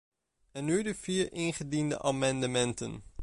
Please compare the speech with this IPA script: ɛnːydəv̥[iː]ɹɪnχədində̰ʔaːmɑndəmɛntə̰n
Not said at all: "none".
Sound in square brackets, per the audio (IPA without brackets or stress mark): iː